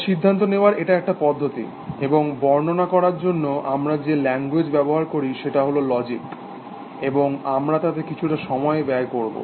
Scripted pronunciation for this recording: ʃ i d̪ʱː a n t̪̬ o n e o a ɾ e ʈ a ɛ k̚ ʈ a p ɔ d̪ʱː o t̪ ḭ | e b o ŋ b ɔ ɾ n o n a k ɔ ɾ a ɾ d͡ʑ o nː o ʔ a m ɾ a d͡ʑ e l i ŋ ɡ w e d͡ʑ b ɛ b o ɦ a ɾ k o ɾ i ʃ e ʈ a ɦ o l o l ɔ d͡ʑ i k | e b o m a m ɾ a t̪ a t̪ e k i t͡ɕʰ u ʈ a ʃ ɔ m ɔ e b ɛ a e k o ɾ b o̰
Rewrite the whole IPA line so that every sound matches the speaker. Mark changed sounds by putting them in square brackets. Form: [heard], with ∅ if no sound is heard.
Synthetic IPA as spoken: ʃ i d̪ʱː a n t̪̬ o n e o a ɾ e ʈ a ɛ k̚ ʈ a p ɔ d̪ʱː o t̪ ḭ | e b o ŋ b ɔ ɾ n o n a k ɔ ɾ a ɾ d͡ʑ o nː o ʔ a m ɾ a d͡ʑ e l [ɛ] ŋ ɡ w e d͡ʑ b ɛ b o ɦ a ɾ k o ɾ i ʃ e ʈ a ɦ o l o l ɔ d͡ʑ i k | e b o [ŋ] a m ɾ a t̪ a t̪ e k i t͡ɕʰ u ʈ a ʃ ɔ m ɔ e b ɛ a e k o ɾ b o̰